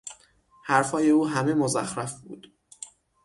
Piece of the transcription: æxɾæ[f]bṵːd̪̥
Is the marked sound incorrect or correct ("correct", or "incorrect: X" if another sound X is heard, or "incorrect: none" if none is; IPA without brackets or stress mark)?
correct